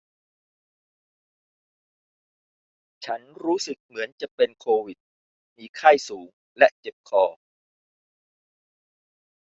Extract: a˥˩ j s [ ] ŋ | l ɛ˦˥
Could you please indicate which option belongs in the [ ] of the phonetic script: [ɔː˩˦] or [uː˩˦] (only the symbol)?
uː˩˦